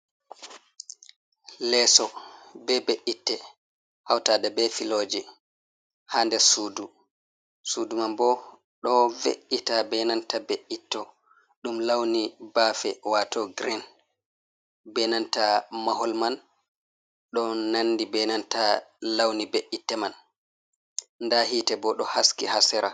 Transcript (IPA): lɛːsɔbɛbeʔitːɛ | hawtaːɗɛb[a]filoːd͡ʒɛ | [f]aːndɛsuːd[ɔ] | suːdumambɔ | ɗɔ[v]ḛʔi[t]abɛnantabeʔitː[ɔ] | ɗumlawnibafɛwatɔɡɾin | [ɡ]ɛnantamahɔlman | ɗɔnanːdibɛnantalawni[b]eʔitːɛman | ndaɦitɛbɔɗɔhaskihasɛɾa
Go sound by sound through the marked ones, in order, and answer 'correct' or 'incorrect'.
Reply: incorrect, incorrect, incorrect, correct, correct, correct, incorrect, correct

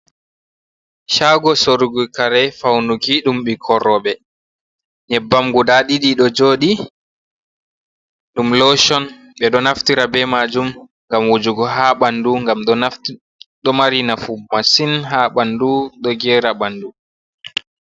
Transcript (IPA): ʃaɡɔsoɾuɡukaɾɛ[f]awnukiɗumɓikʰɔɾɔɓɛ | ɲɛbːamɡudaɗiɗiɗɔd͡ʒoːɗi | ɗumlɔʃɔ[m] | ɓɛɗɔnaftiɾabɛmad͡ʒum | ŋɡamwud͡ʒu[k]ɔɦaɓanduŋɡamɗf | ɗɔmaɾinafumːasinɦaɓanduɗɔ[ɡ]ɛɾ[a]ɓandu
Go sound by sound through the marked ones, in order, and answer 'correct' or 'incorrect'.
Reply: correct, incorrect, incorrect, correct, correct

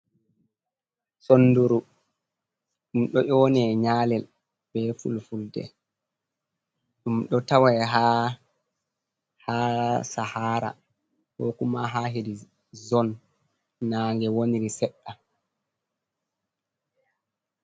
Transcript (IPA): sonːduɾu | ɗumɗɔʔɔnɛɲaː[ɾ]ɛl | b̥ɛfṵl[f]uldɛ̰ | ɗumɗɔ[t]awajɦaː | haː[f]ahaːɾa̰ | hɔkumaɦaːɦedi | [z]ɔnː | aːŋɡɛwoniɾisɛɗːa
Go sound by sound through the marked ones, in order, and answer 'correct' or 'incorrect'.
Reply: incorrect, correct, correct, incorrect, correct

